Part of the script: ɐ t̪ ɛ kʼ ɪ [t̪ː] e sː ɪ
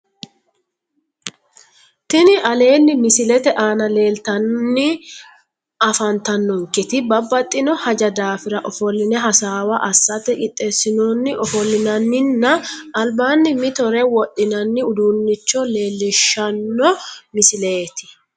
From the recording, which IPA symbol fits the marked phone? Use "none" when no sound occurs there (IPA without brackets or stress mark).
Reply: t̪ʼː